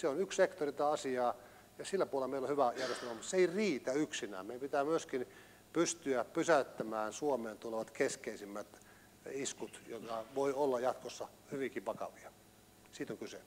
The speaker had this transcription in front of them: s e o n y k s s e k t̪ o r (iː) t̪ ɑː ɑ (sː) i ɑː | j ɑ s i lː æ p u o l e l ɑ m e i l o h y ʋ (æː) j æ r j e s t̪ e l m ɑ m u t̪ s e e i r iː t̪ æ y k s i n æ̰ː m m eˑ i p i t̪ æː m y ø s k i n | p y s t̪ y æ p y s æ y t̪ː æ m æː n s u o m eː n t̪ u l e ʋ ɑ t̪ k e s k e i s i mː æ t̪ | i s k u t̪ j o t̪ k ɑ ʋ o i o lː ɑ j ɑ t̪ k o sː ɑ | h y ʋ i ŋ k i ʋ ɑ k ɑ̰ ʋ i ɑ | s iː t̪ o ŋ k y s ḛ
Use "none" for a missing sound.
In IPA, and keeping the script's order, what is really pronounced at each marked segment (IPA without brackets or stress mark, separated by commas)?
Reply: i, s, æ